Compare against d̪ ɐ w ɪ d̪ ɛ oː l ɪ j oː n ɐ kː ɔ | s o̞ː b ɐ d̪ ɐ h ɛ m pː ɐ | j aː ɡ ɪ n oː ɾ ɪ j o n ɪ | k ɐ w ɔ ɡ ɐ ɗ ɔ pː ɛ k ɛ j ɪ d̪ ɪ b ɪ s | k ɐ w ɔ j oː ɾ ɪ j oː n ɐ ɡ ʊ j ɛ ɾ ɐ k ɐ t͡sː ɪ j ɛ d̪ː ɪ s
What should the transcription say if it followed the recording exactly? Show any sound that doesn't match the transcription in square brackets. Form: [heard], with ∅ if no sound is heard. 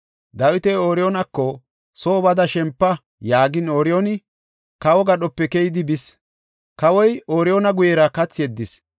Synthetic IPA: d̪ ɐ w ɪ [t̪] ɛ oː [ɾ] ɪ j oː n ɐ kː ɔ | s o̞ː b ɐ d̪ ɐ [ʃ] ɛ m pː ɐ | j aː ɡ ɪ n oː ɾ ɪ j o n ɪ | k ɐ w ɔ ɡ ɐ ɗ ɔ pː ɛ k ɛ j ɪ d̪ ɪ b ɪ s | k ɐ w ɔ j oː ɾ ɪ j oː n ɐ ɡ ʊ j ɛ ɾ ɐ k ɐ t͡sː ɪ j ɛ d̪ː ɪ s